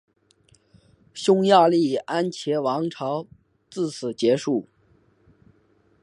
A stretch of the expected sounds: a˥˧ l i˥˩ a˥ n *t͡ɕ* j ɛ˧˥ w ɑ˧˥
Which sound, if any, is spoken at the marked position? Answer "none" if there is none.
t͡ɕʰ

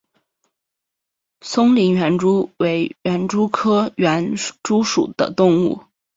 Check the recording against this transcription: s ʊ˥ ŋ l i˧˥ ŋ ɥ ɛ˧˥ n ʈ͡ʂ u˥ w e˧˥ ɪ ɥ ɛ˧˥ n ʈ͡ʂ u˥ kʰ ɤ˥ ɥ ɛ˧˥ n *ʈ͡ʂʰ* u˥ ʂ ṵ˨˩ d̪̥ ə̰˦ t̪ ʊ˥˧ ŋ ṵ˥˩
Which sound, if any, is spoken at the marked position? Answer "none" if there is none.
ʈ͡ʂ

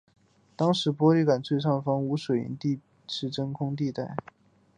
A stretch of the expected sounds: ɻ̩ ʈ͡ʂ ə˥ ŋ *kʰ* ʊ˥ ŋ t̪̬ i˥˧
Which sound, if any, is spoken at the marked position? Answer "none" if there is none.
kʰ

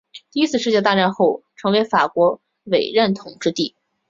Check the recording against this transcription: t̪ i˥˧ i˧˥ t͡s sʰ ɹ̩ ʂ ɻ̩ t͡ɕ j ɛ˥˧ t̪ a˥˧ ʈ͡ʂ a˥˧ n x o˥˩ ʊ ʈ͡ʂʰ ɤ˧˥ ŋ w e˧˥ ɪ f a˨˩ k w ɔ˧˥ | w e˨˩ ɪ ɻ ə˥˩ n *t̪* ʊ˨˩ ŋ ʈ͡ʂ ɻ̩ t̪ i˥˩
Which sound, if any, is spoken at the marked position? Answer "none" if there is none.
t̪ʰ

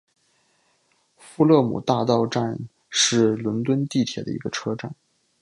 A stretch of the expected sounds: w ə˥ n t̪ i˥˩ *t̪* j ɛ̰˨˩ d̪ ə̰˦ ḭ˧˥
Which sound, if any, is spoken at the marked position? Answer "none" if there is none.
t̪ʰ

